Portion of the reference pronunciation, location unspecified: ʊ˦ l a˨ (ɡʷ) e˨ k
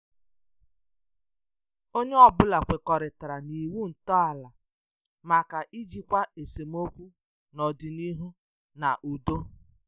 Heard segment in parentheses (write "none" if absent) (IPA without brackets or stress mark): kʷ